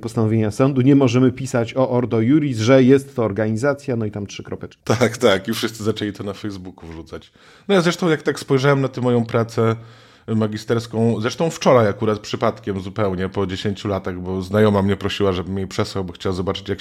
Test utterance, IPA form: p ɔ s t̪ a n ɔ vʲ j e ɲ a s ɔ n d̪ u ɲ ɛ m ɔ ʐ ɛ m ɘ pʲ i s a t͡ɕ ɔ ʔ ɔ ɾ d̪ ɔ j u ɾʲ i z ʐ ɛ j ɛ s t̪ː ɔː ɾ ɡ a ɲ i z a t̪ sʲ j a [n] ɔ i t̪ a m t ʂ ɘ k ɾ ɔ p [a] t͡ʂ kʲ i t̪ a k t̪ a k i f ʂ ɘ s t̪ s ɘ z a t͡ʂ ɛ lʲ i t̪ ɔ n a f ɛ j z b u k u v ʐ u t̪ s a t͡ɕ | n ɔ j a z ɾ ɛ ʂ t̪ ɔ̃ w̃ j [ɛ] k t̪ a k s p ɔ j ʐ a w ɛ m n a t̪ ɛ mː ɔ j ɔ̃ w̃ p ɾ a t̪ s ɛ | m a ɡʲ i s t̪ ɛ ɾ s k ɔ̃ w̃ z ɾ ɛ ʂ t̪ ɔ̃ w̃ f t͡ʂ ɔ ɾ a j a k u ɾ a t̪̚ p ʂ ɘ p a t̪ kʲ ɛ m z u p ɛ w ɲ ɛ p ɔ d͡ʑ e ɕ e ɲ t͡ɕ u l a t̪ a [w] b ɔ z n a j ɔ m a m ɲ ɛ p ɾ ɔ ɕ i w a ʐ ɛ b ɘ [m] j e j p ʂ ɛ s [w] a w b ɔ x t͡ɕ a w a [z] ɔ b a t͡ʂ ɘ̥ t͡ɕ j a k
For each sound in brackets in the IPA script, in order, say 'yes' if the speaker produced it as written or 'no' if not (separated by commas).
yes, no, no, no, yes, yes, yes